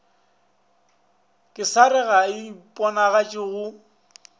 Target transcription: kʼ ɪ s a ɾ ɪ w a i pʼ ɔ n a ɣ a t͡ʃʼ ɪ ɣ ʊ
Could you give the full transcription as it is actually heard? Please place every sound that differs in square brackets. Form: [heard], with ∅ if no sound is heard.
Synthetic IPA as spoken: kʼ ɪ s a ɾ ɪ [ɣ] a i pʼ ɔ n a ɣ a t͡ʃʼ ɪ ɣ ʊ

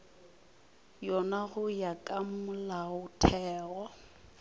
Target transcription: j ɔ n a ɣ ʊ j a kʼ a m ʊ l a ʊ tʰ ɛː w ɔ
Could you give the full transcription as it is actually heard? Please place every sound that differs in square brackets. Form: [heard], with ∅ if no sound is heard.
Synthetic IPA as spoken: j ɔ n a ɣ ʊ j a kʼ a m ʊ l a ʊ tʰ ɛː [ɣ] ɔ

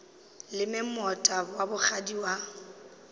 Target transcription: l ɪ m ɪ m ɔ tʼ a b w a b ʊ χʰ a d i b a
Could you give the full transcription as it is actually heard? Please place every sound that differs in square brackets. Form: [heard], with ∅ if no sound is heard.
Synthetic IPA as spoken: l ɪ m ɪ m ɔ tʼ a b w a b ʊ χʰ a d i [w] a

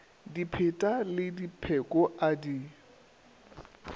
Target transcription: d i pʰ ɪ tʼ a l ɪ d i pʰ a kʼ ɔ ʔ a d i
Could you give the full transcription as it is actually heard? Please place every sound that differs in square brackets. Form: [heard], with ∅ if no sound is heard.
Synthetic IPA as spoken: d i pʰ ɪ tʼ a l ɪ d i pʰ [ɛ] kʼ ɔ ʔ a d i

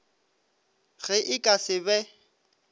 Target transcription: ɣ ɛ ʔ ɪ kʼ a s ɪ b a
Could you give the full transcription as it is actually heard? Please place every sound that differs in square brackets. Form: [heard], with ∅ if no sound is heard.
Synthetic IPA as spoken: ɣ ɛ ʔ ɪ kʼ a s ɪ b [ɛ]

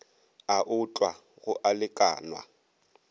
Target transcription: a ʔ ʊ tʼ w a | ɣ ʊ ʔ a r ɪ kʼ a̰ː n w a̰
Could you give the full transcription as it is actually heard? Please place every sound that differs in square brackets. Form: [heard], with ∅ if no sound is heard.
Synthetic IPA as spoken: a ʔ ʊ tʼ w a | ɣ ʊ ʔ a [l] ɪ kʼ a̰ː n w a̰

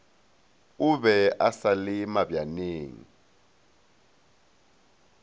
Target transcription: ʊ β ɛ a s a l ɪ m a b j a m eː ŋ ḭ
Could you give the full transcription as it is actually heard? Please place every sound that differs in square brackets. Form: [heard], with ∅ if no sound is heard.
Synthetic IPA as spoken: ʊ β ɛ a s a l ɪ m a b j a [n] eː ŋ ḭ

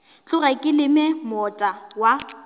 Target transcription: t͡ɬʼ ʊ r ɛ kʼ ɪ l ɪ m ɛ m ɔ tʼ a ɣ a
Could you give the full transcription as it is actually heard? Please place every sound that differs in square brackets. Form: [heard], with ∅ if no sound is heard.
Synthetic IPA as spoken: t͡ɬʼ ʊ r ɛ kʼ ɪ l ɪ m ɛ m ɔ tʼ a [w] a

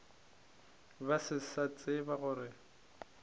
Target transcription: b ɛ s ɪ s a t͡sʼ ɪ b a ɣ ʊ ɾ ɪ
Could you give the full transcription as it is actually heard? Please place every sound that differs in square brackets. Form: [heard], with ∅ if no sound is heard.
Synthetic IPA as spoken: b [a] s ɪ s a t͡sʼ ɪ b a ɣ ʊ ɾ ɪ

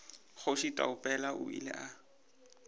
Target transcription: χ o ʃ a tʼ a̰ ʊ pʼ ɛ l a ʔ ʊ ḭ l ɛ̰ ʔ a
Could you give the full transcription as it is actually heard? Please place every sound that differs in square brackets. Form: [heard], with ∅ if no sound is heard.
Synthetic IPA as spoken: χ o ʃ [i] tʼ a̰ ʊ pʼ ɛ l a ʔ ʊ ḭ l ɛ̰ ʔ a

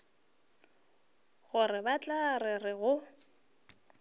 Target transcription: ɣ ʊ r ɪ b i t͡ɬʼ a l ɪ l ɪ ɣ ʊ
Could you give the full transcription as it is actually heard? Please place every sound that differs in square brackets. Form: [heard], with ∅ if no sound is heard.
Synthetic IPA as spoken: ɣ ʊ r ɪ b [a] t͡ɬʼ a [r] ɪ [r] ɪ ɣ ʊ

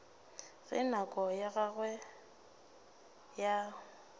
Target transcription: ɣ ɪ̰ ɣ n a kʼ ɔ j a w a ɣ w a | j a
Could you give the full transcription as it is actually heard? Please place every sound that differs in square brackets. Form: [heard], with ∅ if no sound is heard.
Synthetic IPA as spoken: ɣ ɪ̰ [∅] n a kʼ ɔ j a [ɣ] a ɣ w [ɛ] | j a

